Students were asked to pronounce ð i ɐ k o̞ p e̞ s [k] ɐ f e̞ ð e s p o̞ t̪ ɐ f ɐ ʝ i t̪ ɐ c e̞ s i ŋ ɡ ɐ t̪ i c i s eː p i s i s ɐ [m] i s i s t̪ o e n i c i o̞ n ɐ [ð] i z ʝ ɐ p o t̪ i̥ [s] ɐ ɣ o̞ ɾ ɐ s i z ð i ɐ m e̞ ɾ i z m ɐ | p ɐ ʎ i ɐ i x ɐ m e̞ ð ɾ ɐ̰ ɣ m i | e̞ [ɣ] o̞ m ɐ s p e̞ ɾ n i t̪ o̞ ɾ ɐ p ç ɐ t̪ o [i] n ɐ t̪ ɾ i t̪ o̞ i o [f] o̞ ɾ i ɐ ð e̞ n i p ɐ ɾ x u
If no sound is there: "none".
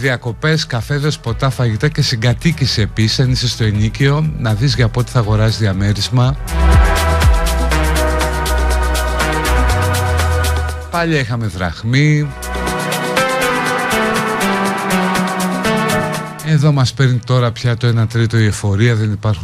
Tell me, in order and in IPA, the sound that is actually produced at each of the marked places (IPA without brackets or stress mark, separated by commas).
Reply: k, n, ð, θ, ð, e, f